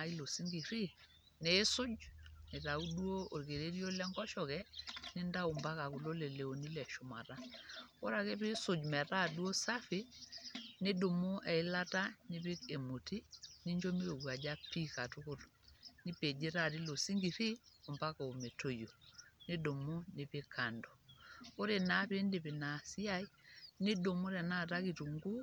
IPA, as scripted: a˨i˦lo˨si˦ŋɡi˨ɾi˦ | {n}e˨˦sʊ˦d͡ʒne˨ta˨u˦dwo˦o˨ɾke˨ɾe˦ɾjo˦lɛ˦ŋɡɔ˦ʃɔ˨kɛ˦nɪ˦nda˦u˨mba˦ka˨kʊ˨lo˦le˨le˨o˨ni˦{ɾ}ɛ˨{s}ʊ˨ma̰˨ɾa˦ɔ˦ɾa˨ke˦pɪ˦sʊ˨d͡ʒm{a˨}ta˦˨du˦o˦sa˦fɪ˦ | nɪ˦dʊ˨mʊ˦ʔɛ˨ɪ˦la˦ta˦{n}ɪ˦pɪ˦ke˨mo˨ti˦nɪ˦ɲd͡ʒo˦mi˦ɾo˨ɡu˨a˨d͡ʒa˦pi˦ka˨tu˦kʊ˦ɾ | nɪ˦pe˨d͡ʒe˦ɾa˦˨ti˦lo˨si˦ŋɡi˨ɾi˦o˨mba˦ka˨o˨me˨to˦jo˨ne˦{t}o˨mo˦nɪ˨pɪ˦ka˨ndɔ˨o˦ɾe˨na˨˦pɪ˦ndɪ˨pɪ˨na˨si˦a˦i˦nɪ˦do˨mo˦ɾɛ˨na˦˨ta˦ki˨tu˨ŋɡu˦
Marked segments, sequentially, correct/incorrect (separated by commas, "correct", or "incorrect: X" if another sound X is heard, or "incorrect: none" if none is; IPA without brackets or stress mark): correct, incorrect: l, incorrect: ʃ, incorrect: ɛ˨, correct, incorrect: d